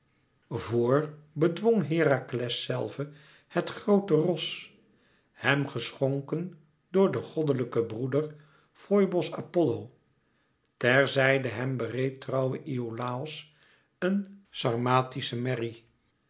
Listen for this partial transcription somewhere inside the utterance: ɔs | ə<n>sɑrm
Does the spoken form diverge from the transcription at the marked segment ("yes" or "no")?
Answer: no